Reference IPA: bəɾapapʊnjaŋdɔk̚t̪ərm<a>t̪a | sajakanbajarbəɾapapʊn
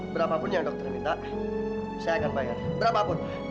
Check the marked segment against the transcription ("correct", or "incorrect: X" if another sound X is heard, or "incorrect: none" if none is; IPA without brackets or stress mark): incorrect: i